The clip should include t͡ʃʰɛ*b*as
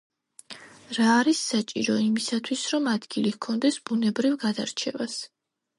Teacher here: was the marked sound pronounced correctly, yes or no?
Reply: no